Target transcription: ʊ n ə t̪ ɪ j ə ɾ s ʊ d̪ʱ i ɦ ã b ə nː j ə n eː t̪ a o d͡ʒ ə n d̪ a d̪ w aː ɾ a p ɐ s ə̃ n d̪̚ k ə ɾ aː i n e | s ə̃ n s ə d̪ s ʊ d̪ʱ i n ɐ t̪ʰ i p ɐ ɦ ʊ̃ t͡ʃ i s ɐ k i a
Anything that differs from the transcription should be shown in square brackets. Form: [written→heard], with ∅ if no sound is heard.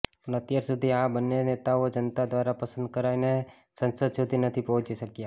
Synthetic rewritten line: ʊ n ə t̪ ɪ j ə ɾ s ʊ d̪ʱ i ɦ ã b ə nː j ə n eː t̪ a o d͡ʒ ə n [d̪→t̪] a d̪ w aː ɾ a p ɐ s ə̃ n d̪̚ k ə ɾ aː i n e | s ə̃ n s ə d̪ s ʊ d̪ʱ i n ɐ t̪ʰ i p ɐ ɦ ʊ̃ t͡ʃ i s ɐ k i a